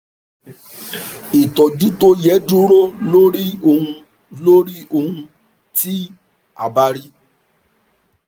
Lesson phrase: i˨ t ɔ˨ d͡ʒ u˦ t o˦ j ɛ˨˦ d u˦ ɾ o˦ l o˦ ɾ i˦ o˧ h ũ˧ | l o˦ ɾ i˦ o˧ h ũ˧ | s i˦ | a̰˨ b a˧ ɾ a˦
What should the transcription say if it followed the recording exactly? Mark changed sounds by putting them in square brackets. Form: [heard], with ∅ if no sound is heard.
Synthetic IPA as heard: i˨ t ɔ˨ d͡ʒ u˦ t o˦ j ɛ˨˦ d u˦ ɾ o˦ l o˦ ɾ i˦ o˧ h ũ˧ | l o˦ ɾ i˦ o˧ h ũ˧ | [t] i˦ | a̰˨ b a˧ ɾ [i˦]